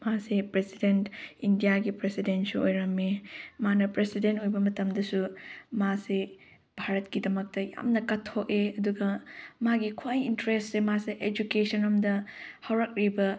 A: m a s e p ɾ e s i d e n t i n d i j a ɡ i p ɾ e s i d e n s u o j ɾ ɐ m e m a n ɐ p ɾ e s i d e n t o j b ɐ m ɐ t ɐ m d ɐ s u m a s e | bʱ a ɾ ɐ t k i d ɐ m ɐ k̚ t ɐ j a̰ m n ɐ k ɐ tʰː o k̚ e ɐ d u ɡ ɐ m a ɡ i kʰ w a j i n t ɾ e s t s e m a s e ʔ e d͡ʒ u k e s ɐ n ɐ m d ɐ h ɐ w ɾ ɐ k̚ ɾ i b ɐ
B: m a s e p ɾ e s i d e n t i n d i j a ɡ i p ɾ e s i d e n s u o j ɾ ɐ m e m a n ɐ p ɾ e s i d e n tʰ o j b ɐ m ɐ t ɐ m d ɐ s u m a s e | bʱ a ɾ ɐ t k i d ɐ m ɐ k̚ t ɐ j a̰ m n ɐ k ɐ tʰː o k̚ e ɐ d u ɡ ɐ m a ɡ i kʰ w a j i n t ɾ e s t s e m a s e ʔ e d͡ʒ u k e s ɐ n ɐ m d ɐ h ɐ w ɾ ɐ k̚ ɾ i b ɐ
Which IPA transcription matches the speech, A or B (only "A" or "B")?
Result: A